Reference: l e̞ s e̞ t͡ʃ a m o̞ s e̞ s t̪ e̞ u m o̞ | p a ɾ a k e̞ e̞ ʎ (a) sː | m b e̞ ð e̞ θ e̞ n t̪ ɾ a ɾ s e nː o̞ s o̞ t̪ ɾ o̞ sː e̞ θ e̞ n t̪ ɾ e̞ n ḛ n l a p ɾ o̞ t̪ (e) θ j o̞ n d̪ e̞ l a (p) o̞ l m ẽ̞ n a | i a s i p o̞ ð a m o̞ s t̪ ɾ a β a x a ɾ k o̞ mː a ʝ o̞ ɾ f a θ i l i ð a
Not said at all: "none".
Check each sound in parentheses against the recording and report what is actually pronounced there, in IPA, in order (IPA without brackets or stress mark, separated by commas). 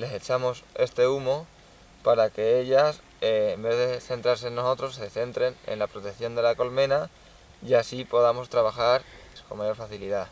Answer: a, e, k